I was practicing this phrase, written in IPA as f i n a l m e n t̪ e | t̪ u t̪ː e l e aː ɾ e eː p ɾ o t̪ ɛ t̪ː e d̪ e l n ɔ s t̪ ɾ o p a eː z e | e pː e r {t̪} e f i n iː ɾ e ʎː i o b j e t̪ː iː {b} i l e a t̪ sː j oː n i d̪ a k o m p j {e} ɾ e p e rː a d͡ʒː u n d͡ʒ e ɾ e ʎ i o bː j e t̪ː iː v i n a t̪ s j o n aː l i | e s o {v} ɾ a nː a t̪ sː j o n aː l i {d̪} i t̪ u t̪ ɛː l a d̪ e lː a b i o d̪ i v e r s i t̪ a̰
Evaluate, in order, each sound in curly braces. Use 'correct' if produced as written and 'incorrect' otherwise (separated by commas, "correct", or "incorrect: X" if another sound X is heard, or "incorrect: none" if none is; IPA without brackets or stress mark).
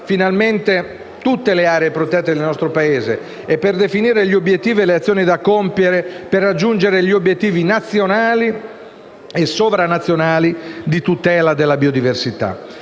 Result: incorrect: d̪, incorrect: v, correct, correct, correct